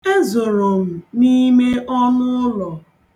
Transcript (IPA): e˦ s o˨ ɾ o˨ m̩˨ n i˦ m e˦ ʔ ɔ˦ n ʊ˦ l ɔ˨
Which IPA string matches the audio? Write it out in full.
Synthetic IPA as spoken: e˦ z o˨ ɾ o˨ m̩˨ n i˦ m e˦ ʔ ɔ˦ n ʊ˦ l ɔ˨